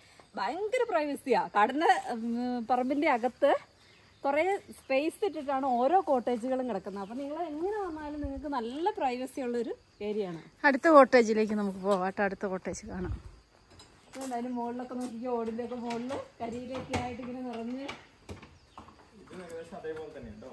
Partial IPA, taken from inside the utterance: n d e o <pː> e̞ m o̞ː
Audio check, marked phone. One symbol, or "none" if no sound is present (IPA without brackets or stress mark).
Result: kː